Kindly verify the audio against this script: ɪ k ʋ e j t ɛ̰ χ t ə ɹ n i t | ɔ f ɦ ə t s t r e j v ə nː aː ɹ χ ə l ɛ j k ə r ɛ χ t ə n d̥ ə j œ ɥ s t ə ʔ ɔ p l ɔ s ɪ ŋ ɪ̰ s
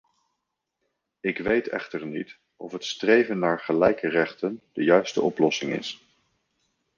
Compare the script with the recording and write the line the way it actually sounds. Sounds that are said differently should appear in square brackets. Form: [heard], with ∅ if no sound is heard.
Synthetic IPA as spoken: ɪ k ʋ e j t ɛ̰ χ t ə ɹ n i t | ɔ f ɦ ə t s t r e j v ə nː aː ɹ χ ə l ɛ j k ə r ɛ χ t ə n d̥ ə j œ ɥ s t ə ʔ ɔ p l ɔ s ɪ ŋ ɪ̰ s